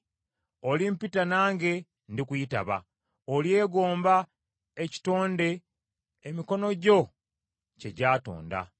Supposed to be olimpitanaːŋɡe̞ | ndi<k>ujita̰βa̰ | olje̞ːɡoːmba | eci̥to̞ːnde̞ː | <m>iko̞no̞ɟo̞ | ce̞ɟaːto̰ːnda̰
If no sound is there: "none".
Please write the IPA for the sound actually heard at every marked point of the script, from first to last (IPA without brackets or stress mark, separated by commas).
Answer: k, m